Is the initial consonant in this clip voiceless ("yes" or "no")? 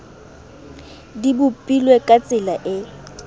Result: no